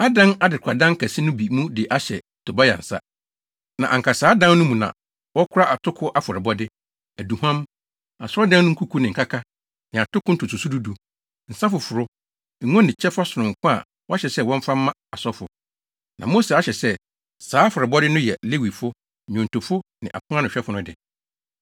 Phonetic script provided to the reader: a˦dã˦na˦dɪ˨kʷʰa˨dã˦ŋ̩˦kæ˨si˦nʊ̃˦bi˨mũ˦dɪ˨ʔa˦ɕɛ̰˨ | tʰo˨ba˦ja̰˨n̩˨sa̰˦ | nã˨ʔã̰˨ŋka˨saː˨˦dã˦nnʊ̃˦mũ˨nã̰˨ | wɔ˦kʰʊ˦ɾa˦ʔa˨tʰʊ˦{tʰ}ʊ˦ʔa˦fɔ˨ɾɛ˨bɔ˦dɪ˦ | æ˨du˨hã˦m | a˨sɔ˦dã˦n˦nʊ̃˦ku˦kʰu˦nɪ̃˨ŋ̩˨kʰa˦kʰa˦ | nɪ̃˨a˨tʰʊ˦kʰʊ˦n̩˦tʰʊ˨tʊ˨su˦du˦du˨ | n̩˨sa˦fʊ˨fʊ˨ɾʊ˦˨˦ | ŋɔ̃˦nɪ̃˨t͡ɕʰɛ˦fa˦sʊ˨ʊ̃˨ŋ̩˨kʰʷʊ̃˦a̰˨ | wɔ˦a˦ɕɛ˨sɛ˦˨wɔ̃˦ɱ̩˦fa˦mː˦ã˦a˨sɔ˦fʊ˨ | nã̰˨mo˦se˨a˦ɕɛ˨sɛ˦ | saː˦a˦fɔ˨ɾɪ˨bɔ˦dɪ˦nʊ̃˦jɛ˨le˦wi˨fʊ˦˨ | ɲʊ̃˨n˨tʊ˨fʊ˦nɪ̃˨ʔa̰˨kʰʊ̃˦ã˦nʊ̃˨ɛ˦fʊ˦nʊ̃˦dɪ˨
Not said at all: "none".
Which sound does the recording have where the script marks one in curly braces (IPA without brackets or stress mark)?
kʰ